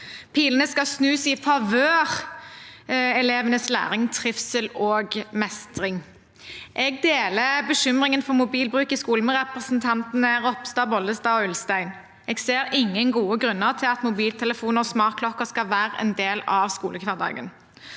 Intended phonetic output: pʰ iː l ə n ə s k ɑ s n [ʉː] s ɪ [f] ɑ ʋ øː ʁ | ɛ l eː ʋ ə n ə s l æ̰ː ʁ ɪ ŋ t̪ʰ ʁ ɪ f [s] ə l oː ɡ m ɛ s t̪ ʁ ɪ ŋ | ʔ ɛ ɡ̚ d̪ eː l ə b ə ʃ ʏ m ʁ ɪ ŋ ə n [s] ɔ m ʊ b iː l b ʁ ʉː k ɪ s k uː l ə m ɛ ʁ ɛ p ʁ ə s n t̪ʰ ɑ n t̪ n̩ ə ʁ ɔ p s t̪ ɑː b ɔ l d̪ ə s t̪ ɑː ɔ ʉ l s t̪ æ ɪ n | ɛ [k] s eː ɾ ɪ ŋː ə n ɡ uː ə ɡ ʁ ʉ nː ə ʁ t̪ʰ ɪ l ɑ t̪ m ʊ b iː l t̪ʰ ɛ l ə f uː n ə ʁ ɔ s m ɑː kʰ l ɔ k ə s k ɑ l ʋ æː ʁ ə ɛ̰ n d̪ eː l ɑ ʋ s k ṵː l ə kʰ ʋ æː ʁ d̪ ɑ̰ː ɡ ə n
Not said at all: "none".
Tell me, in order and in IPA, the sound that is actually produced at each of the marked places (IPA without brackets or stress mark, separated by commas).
ʉː, f, s, f, ɡ